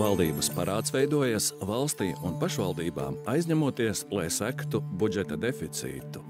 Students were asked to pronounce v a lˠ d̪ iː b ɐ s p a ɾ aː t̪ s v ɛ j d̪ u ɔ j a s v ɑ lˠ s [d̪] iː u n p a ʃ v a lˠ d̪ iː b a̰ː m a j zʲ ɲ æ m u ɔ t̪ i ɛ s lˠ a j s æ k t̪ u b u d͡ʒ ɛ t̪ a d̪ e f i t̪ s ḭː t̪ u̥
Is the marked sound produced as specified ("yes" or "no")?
no